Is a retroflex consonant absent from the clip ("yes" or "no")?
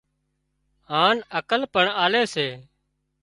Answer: no